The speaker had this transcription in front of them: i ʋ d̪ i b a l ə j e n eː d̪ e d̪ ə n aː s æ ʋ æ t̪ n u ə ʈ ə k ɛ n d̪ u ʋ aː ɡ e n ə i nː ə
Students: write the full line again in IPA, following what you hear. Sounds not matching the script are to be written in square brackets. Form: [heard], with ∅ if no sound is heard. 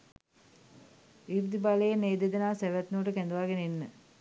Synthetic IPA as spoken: i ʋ d̪ i b a l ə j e n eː d̪ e d̪ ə n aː s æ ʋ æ t̪ n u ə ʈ ə k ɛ n d̪ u ʋ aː ɡ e n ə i nː ə